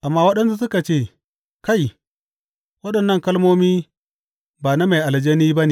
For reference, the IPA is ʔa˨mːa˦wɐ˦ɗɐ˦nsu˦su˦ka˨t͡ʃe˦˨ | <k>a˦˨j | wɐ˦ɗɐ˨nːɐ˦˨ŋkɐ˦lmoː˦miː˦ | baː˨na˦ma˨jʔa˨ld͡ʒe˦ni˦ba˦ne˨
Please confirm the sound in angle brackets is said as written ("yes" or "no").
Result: yes